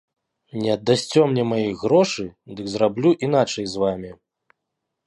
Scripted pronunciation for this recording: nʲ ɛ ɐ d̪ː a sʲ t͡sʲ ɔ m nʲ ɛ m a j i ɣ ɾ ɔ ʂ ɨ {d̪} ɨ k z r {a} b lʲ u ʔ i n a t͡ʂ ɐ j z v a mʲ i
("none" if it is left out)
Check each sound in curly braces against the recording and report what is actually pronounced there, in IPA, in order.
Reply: d̪, a

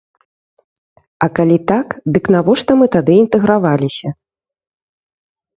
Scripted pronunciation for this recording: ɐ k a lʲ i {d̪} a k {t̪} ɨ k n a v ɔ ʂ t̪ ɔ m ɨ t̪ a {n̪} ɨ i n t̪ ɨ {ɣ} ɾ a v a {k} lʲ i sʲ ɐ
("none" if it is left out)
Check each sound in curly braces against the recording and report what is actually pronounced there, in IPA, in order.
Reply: t̪, d̪, d̪, ɣ, none

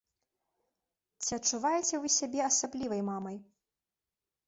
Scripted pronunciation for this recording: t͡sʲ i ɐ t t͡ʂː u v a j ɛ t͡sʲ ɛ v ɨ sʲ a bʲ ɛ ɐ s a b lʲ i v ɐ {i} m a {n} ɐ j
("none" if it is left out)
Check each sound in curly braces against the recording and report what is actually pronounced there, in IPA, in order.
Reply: j, m

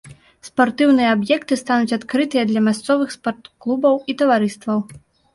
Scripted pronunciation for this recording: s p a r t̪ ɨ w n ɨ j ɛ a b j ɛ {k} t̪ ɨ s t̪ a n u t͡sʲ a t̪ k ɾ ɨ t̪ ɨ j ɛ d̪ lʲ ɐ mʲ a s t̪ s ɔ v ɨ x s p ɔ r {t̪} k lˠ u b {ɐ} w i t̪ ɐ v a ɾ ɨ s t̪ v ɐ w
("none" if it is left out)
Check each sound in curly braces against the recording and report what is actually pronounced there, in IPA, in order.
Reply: k, t̪, ɐ

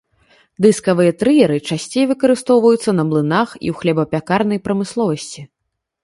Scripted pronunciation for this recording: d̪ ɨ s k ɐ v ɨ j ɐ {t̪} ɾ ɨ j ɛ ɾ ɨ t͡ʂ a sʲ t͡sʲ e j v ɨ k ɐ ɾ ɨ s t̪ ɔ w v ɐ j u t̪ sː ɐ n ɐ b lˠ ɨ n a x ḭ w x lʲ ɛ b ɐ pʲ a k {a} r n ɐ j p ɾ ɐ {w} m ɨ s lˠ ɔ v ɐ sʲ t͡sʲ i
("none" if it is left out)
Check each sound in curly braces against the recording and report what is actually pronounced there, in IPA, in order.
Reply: t̪, a, none

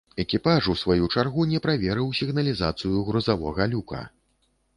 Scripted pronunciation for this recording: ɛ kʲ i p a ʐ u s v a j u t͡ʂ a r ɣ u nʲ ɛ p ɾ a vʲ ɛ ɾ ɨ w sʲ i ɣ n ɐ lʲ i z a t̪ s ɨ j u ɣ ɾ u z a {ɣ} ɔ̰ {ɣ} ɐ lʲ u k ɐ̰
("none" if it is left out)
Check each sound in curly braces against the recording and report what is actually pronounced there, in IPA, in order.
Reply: v, ɣ

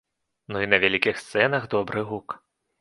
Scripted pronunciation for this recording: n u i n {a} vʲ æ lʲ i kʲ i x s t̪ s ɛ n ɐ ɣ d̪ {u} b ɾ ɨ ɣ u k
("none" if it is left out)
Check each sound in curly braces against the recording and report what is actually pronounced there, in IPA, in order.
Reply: ɐ, ɔ

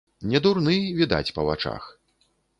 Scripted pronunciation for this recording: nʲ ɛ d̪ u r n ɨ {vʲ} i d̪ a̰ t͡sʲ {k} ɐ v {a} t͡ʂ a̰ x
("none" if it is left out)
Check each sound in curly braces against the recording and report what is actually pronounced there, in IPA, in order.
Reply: vʲ, p, a

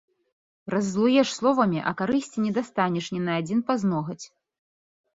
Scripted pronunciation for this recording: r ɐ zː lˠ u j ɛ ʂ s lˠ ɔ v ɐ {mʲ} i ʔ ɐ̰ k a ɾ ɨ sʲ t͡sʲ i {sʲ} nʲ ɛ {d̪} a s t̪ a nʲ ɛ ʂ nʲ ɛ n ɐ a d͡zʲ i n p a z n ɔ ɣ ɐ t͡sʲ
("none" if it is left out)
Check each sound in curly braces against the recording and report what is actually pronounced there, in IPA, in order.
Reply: mʲ, none, d̪

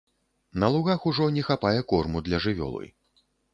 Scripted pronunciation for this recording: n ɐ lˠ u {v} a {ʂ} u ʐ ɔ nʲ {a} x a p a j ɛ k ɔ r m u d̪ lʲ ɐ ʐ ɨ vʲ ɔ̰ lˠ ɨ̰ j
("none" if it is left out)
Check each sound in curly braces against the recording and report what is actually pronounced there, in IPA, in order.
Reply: ɣ, x, ɛ

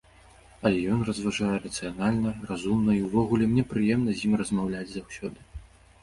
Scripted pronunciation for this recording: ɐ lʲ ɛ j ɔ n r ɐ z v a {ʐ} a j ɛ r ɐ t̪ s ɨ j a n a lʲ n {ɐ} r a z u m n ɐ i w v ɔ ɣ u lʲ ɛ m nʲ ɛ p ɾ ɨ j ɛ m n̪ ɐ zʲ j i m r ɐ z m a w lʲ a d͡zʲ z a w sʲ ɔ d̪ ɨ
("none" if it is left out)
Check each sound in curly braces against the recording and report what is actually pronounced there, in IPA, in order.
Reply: ʐ, ɐ

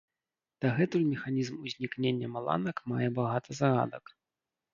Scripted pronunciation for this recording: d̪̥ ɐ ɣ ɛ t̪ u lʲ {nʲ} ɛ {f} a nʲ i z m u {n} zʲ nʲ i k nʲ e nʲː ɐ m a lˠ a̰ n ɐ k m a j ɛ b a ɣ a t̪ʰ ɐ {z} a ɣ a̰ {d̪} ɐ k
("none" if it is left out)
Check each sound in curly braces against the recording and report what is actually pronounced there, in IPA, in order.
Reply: mʲ, x, none, z, d̪

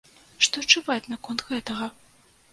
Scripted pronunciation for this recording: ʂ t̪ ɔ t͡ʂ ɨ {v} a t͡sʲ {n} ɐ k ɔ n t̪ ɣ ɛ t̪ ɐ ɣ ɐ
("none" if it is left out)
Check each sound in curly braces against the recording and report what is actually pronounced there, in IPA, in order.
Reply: v, n

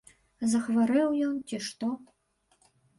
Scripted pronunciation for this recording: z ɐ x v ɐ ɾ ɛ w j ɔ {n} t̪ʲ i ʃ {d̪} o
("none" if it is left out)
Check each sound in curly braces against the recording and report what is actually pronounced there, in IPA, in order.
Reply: n, t̪

